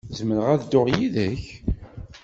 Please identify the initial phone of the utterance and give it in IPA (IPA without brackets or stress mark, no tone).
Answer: z